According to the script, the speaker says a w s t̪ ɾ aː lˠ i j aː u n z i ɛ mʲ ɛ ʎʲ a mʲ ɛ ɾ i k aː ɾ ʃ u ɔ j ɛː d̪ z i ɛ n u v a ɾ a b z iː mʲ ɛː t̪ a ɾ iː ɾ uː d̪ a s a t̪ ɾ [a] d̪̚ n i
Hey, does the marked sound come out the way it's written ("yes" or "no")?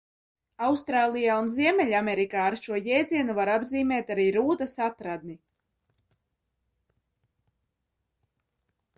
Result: yes